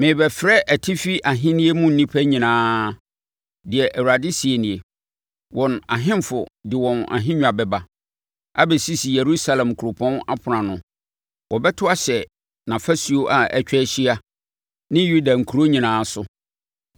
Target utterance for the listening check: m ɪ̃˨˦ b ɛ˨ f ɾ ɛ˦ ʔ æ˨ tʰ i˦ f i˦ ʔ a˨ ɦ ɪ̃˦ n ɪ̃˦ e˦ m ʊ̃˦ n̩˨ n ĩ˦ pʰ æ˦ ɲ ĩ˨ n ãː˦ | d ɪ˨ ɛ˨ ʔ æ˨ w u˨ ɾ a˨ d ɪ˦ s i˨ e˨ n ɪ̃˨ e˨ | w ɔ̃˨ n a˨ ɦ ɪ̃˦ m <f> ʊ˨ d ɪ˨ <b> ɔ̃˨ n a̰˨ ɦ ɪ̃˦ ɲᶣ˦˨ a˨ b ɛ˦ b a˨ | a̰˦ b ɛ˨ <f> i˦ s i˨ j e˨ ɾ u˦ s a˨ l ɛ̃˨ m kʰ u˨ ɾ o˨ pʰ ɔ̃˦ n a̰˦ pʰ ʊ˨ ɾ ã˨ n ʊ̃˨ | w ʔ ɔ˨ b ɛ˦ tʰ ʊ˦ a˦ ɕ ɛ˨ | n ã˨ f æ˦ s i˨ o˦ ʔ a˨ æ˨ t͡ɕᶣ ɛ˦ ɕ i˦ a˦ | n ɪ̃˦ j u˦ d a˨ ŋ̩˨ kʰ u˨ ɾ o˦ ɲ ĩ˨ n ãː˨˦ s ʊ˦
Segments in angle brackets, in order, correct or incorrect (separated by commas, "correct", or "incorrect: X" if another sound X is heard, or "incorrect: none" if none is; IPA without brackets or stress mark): correct, incorrect: w, incorrect: s